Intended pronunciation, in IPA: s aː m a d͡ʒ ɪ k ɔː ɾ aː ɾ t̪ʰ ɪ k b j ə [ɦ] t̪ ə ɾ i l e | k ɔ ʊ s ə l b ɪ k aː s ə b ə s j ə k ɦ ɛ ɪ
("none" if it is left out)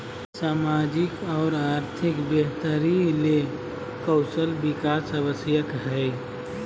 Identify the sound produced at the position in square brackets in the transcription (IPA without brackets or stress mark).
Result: ɦ